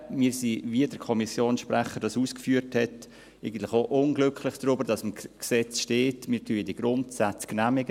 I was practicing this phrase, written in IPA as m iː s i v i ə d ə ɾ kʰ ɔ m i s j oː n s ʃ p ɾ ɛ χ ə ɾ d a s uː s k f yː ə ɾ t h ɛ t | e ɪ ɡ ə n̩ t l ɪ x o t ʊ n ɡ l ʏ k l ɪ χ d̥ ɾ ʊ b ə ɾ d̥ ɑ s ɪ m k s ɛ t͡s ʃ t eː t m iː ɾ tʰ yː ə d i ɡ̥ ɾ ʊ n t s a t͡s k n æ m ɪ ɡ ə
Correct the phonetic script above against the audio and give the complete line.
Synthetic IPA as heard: m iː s i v i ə d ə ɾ kʰ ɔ m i s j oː n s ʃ p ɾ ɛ χ ə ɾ d ɑ s uː s k f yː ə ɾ t h ɛ t | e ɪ ɡ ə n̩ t l ɪ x o ʔ ʊ n ɡ l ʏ k l ɪ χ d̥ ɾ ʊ b ə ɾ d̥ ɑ s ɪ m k s ɛ t͡s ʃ t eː t m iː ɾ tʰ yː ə d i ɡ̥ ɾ ʊ n t s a t͡s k n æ m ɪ ɡ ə